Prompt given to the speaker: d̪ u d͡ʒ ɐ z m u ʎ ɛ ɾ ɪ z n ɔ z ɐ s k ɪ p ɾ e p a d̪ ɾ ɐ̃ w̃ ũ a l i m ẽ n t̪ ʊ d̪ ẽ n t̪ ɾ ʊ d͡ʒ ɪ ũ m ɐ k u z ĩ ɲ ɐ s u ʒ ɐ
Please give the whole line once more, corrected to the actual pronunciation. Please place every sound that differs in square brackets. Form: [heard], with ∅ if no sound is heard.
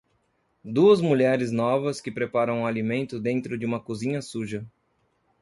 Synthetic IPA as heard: d̪ u [∅] ɐ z m u ʎ ɛ ɾ ɪ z n ɔ [v] ɐ s k ɪ p ɾ e p a [∅] ɾ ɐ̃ w̃ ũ a l i m ẽ n t̪ ʊ d̪ ẽ n t̪ ɾ ʊ d͡ʒ ɪ ũ m ɐ k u z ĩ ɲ ɐ s u ʒ ɐ